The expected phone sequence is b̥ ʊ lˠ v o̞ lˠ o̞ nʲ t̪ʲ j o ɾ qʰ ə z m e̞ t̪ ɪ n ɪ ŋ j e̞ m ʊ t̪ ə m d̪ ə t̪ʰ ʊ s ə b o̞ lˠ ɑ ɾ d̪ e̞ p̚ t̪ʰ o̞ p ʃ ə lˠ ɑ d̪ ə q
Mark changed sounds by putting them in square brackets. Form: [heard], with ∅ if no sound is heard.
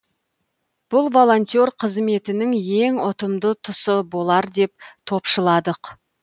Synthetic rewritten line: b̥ ʊ lˠ v o̞ lˠ o̞ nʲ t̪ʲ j o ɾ qʰ ə z m e̞ t̪ ɪ n ɪ ŋ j e̞ [ŋ] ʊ t̪ ə m d̪ ə t̪ʰ ʊ s ə b o̞ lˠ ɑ ɾ d̪ e̞ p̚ t̪ʰ o̞ p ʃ ə lˠ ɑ d̪ ə q